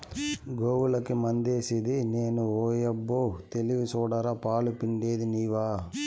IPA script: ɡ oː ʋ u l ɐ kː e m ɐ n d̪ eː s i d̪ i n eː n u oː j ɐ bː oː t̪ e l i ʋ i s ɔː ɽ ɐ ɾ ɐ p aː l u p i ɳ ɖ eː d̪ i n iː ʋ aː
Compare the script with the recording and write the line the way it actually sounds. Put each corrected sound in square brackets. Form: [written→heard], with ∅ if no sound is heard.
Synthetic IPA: ɡ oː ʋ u l ɐ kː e m ɐ n d̪ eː s i d̪ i n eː n u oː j ɐ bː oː t̪ e l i ʋ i s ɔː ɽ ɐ ɾ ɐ p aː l u p i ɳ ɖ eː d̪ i n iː ʋ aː